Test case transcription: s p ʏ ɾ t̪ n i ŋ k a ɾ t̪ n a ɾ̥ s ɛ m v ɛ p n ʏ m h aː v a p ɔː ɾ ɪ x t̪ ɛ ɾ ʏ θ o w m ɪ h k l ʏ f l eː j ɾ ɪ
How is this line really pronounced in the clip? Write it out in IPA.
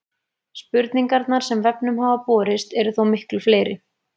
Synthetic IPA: s p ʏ ɾ t̪ n i ŋ k a ɾ t̪ n a ɾ̥ s ɛ m v ɛ p n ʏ m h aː v a p ɔː ɾ ɪ s t̪ ɛ ɾ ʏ θ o w m ɪ h k l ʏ f l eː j ɾ ɪ